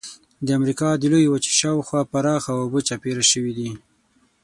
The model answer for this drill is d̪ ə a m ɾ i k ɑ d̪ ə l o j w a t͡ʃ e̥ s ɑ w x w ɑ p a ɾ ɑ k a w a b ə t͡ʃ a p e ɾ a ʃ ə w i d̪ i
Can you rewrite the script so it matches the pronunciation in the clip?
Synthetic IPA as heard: d̪ ə a m ɾ i k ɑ d̪ ə l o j w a t͡ʃ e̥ ʃ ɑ w x w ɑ p a ɾ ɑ x a w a b ə t͡ʃ a p e ɾ a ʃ ə w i d̪ i